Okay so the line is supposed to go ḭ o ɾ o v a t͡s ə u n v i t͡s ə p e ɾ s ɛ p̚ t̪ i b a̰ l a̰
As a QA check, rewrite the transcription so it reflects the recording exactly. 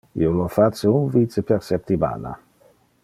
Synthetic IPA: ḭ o l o f a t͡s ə u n v i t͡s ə p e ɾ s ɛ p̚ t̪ i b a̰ l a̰